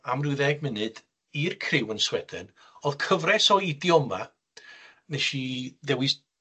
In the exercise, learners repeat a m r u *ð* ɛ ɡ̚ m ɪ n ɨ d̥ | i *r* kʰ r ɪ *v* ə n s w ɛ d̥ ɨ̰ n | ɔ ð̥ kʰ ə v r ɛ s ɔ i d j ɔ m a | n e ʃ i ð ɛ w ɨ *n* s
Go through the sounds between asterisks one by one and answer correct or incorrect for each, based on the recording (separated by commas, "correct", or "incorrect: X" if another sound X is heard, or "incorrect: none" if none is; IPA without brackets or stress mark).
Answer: correct, correct, incorrect: w, incorrect: none